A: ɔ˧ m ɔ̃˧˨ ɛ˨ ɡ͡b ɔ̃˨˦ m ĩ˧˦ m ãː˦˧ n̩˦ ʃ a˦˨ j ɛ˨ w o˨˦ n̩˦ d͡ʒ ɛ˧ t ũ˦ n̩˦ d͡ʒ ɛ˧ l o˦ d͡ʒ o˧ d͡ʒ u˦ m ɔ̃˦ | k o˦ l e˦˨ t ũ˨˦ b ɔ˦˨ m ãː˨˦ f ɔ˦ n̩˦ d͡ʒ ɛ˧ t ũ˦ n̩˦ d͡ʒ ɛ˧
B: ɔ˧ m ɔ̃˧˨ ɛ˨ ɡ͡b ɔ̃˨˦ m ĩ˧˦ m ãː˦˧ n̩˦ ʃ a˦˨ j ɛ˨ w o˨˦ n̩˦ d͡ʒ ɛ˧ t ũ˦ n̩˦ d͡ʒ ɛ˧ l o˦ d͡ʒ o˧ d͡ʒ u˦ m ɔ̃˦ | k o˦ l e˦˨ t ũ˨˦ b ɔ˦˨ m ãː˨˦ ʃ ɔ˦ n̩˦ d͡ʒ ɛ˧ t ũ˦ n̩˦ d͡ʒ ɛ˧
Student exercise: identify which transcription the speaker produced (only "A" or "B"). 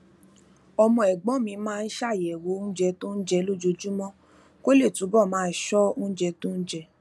B